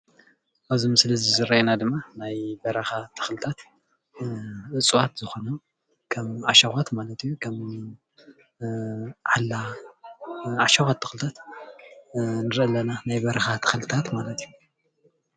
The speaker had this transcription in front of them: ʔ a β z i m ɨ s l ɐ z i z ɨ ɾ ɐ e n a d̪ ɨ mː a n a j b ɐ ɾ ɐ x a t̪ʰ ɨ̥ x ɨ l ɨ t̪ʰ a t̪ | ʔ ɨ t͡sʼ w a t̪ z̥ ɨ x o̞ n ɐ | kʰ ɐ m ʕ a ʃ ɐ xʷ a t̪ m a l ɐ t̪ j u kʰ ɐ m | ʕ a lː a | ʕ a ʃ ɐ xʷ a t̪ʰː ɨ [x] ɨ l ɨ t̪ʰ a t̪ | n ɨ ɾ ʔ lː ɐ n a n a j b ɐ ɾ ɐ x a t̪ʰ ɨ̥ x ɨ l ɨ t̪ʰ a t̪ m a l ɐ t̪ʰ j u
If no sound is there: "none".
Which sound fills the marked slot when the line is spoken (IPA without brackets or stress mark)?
x